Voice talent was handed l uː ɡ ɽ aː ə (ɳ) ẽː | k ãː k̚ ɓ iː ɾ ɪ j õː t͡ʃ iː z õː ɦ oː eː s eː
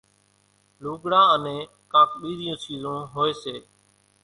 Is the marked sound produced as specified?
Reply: no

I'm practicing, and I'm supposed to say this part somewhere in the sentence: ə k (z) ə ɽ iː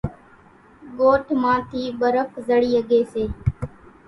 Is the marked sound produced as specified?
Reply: yes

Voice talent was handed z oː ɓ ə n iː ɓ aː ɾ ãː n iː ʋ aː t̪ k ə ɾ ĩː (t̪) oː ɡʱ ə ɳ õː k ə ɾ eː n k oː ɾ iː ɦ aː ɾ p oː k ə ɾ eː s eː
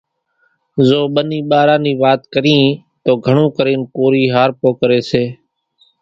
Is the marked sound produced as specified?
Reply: yes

